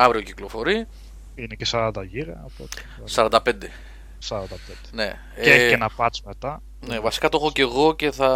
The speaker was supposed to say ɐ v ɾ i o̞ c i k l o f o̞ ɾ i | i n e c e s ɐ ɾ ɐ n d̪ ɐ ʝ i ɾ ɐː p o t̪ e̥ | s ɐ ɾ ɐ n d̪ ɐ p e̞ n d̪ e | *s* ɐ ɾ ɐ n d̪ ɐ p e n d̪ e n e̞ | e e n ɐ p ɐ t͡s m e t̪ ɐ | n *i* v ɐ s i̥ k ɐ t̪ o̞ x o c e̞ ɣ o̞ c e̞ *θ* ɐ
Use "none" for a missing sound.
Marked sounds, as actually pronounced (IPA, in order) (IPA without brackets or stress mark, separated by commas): s, e, θ